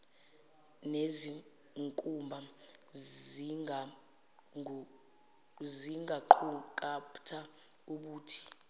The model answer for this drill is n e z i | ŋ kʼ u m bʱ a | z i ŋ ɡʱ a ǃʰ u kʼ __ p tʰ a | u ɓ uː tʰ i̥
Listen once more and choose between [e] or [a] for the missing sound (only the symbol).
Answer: a